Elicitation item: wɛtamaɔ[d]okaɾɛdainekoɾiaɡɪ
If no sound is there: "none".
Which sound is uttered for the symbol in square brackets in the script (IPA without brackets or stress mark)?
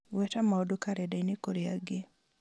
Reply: d